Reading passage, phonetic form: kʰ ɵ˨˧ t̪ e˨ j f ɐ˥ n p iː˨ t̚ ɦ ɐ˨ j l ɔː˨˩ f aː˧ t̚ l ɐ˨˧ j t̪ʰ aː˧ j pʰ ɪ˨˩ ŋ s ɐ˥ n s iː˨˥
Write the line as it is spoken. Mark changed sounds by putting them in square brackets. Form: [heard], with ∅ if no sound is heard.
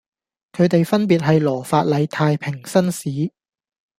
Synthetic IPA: kʰ ɵ˨˧ t̪ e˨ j f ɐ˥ n p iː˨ t̚ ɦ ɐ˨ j l ɔː˨˩ f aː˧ t̚ l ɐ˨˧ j t̪ʰ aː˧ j pʰ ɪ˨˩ ŋ s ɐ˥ n s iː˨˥